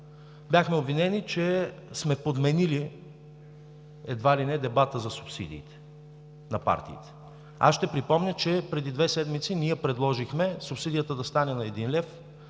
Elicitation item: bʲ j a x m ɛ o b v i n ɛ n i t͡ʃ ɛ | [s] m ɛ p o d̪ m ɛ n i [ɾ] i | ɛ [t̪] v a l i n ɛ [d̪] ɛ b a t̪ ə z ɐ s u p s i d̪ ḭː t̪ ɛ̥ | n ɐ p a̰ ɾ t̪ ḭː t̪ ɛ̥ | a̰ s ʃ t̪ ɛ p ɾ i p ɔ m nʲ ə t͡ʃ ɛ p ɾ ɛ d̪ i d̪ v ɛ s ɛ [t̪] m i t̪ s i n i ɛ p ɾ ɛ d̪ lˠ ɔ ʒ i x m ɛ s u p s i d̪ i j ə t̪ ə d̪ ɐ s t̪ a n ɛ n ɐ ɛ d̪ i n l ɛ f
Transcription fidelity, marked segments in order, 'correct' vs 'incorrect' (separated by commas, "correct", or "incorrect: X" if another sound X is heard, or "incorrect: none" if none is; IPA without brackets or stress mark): correct, incorrect: l, incorrect: d̪, correct, incorrect: d̪